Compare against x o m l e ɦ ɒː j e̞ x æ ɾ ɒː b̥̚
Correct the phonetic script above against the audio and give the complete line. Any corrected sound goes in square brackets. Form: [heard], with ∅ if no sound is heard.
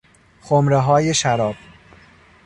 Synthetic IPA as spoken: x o m [ɾ] e ɦ ɒː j e̞ [ʃ] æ ɾ ɒː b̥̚

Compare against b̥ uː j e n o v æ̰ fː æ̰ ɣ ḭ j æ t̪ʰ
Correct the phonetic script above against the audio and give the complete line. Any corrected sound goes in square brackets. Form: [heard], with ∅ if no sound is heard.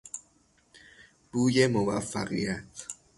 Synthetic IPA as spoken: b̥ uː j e [m] o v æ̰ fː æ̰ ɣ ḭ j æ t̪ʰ

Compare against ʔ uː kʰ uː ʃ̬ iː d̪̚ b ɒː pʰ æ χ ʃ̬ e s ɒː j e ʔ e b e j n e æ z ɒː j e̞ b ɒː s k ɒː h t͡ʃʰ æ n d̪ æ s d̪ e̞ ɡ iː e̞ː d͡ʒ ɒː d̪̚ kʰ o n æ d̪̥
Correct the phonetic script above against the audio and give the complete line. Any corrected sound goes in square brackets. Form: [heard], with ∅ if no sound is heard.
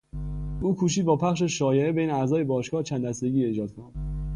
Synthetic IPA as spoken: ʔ uː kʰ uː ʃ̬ iː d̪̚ b ɒː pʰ æ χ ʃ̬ e [ʃ] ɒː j e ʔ e b e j n e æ z ɒː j e̞ b ɒː [ʃ] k ɒː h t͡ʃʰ æ n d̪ æ s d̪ e̞ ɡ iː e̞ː d͡ʒ ɒː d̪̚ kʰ o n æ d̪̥

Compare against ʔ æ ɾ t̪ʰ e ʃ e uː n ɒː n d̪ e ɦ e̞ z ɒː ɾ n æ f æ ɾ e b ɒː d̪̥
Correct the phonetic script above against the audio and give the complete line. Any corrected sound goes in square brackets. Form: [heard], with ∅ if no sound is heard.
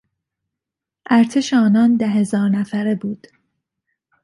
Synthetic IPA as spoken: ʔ æ ɾ t̪ʰ e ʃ e [ɒː] n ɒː n d̪ [æ] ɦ e̞ z ɒː ɾ n æ f æ ɾ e b [uː] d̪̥

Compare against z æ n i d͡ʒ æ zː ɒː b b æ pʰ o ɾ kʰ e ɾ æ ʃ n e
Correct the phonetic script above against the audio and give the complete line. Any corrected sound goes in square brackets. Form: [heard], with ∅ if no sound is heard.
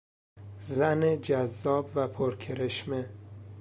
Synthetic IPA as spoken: z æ n [e] d͡ʒ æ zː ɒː b [v] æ pʰ o ɾ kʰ e ɾ [e] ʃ [m] e

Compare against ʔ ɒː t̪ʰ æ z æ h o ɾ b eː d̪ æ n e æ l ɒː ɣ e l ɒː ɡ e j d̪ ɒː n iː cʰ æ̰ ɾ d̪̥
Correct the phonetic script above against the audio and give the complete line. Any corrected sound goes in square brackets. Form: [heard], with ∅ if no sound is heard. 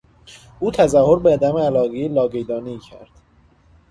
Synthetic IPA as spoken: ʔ [uː] t̪ʰ æ z æ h o ɾ b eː d̪ æ [m] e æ l ɒː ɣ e l ɒː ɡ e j d̪ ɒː n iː cʰ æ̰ ɾ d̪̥

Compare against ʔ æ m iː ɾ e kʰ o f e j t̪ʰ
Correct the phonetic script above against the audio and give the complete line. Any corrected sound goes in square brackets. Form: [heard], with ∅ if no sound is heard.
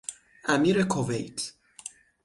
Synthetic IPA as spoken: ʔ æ m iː ɾ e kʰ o [v] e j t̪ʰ

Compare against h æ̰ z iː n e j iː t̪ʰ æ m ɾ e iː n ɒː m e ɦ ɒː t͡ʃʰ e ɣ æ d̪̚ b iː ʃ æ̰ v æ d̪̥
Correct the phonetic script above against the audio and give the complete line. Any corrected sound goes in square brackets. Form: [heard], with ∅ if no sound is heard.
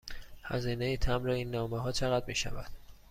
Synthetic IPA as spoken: h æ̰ z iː n e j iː t̪ʰ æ m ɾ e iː [nː] ɒː m e ɦ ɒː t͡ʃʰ e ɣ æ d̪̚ [m] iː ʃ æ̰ v æ d̪̥

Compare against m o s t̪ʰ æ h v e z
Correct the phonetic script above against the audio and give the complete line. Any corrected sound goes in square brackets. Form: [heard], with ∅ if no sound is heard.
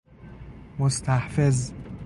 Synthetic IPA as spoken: m o s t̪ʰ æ h [f] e z

